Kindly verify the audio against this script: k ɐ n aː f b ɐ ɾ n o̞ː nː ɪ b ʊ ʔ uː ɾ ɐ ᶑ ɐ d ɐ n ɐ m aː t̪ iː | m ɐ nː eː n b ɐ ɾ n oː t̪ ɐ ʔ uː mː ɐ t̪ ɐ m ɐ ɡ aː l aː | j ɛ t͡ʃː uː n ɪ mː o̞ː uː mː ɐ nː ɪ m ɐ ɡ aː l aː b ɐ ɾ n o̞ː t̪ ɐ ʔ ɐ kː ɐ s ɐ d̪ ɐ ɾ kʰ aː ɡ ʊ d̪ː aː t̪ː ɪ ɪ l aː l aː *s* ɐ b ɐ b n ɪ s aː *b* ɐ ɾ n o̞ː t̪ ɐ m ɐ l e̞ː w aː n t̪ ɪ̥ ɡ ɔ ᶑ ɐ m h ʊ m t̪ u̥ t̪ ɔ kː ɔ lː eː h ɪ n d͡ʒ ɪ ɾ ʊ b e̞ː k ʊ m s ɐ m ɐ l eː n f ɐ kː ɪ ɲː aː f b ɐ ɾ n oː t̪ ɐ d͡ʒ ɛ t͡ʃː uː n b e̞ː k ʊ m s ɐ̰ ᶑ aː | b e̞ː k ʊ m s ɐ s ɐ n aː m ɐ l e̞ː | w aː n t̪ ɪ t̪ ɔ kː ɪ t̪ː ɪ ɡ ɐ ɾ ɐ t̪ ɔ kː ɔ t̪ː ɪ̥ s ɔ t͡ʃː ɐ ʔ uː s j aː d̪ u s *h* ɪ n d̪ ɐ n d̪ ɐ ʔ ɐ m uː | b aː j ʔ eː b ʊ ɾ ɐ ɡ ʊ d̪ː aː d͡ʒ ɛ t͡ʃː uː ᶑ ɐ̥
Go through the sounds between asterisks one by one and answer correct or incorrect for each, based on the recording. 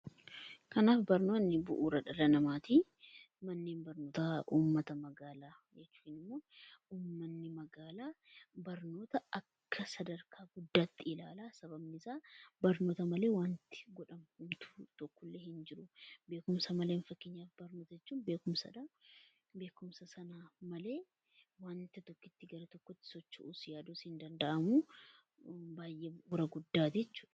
correct, correct, correct

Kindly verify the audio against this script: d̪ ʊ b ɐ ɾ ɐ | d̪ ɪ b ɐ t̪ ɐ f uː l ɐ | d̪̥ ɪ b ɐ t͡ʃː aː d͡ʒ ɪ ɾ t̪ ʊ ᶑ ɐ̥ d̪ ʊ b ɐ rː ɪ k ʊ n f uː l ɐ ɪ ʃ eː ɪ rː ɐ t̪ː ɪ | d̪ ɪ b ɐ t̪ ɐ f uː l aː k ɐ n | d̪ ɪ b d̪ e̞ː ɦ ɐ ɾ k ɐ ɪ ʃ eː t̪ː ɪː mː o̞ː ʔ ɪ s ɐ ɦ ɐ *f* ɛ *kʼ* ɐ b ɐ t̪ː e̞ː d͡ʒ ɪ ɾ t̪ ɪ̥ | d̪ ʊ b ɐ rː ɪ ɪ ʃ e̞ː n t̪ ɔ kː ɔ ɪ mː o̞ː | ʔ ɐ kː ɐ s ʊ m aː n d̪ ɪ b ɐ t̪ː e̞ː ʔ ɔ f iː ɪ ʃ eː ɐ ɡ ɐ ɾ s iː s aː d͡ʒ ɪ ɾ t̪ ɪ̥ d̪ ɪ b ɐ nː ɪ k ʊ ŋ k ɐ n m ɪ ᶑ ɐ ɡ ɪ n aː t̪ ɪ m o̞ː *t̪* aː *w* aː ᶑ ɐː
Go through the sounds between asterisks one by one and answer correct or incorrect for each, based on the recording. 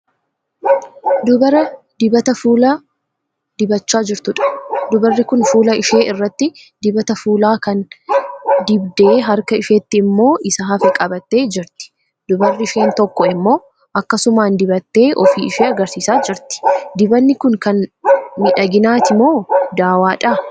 correct, correct, incorrect, correct

